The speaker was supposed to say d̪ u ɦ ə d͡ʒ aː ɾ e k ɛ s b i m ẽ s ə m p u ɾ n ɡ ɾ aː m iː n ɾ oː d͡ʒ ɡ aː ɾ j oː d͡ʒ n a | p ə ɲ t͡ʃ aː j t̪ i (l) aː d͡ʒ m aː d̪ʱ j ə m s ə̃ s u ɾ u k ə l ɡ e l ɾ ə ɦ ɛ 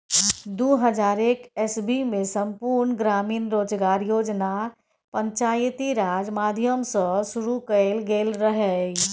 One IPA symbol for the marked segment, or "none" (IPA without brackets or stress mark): ɾ